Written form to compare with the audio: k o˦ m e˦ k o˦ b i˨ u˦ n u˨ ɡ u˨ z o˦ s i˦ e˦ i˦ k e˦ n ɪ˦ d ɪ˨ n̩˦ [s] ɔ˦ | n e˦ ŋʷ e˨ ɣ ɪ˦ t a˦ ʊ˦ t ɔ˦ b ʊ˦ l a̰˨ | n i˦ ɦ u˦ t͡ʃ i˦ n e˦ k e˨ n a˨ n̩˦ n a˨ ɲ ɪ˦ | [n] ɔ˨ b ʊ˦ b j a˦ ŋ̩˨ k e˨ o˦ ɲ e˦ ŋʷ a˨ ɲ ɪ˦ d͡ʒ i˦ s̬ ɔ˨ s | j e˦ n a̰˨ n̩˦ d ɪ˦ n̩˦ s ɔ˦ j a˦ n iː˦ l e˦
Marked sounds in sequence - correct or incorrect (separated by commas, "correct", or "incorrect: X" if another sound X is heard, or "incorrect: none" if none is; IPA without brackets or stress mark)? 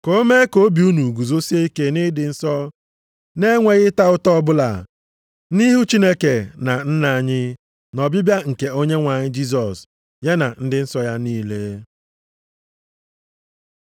correct, correct